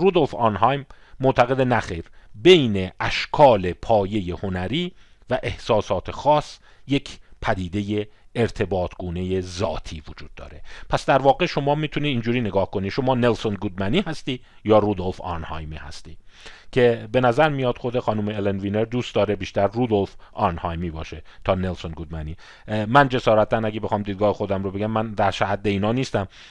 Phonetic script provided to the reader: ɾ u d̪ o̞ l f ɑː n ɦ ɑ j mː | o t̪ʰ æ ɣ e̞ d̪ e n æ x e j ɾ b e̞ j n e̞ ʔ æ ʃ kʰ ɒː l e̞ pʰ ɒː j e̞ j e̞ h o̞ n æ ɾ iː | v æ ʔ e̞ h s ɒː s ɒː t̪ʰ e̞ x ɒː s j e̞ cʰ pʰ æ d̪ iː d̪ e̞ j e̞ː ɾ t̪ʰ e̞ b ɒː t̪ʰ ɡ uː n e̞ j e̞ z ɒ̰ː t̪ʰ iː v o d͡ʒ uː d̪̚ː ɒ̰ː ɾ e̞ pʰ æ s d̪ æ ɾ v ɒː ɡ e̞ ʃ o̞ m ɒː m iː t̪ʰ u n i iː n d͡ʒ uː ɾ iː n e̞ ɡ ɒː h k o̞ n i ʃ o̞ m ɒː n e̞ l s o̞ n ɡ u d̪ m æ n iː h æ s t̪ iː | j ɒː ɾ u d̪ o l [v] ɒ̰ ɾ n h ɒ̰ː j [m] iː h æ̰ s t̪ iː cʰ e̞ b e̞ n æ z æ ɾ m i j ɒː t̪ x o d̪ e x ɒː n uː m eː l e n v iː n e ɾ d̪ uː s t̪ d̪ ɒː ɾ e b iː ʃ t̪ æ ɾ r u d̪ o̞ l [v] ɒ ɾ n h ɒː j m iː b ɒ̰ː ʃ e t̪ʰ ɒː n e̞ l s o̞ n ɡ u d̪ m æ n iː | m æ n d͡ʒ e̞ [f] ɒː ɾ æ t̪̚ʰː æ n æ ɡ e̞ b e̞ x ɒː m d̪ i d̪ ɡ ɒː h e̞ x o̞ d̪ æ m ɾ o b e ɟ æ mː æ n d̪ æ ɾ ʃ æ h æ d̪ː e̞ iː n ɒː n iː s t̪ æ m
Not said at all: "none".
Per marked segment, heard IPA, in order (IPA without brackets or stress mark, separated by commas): f, m, f, s